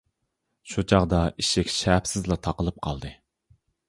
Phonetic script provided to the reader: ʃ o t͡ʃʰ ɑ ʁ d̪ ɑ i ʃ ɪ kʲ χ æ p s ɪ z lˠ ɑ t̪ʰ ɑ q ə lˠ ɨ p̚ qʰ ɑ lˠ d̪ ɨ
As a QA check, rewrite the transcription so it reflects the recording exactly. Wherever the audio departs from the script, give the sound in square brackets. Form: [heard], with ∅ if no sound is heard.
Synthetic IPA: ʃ [u] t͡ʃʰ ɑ ʁ d̪ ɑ i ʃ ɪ kʲ [ʃ] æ p s ɪ z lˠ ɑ t̪ʰ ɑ q ə lˠ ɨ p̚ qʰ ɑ lˠ d̪ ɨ

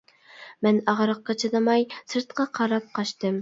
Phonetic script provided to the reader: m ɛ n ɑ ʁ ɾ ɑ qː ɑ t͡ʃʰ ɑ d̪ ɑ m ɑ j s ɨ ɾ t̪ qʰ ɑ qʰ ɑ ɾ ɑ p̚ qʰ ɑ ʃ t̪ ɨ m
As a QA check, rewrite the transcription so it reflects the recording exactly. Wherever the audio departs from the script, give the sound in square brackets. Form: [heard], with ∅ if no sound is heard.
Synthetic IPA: m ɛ n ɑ ʁ ɾ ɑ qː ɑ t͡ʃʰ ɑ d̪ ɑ m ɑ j s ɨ ɾ t̪ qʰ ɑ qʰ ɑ ɾ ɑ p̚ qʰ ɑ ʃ t̪ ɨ m

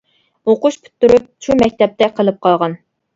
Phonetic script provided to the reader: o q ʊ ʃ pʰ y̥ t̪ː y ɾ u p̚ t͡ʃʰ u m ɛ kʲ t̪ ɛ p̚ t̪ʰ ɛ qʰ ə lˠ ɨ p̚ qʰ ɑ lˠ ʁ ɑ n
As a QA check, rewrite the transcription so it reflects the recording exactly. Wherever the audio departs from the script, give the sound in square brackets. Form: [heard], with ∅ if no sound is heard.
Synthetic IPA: o q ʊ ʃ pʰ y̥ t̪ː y ɾ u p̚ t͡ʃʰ u m ɛ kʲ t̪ ɛ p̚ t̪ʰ ɛ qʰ ə lˠ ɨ p̚ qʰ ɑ lˠ ʁ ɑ n

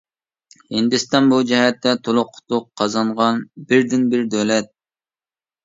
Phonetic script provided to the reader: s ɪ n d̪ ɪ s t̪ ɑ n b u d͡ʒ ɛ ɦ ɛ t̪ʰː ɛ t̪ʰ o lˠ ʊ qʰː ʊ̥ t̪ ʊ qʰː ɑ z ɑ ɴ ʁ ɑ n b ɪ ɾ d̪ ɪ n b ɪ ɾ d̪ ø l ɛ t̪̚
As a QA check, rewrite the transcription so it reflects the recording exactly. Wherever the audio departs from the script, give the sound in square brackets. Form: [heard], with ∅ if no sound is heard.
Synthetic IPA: [h] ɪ n d̪ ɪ s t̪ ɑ n b u d͡ʒ ɛ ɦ ɛ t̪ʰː ɛ t̪ʰ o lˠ ʊ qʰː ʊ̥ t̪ ʊ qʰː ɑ z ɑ ɴ ʁ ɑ n b ɪ ɾ d̪ ɪ n b ɪ ɾ d̪ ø l ɛ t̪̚

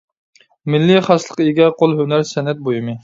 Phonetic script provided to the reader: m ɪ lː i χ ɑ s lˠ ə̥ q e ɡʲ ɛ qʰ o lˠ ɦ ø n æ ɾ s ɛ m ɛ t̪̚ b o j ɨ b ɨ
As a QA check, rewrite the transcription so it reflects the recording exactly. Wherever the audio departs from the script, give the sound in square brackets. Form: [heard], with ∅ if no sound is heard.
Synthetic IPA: m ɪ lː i χ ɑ s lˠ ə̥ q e ɡʲ ɛ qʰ o lˠ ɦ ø n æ ɾ s ɛ [n] ɛ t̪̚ b o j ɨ [m] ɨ

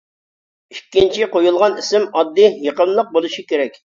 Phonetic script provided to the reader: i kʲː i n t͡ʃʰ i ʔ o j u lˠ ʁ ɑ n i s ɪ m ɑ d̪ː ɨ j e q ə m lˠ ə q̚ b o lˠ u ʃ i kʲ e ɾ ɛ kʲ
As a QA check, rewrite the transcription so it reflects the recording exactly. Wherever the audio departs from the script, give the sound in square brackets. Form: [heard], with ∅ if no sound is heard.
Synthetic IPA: i kʲː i n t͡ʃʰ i [q] o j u lˠ ʁ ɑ n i s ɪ m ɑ d̪ː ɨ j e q ə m lˠ ə q̚ b o lˠ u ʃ i kʲ e ɾ ɛ kʲ

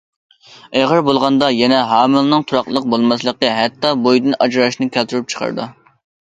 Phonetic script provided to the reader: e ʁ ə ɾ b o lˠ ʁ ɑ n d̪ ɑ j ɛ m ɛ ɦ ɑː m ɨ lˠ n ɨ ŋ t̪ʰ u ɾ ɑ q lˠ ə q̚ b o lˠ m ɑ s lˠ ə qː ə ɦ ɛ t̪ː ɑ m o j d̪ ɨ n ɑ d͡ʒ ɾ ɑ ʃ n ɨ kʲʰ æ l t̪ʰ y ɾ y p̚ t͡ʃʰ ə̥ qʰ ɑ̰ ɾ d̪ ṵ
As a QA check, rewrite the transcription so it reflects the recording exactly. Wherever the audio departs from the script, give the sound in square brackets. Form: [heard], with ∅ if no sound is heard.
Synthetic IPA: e ʁ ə ɾ b o lˠ ʁ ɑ n d̪ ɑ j ɛ [n] ɛ ɦ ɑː m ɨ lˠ n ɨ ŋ t̪ʰ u ɾ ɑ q lˠ ə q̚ b o lˠ m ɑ s lˠ ə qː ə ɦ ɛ t̪ː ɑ [b] o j d̪ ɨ n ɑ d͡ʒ ɾ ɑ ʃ n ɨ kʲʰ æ l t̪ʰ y ɾ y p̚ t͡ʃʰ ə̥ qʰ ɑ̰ ɾ d̪ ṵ

